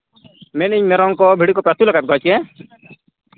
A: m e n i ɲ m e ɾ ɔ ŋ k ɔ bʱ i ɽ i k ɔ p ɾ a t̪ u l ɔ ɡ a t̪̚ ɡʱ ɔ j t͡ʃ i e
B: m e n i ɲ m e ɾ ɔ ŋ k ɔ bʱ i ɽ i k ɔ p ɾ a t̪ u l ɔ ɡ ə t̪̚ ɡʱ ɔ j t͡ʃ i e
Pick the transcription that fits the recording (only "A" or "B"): A